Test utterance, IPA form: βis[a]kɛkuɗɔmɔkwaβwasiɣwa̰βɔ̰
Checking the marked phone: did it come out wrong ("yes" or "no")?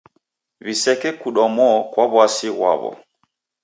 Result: yes